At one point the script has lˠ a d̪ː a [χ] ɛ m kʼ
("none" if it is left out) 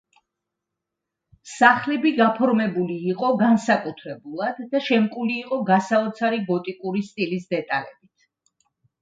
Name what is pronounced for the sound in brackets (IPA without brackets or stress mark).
ʃ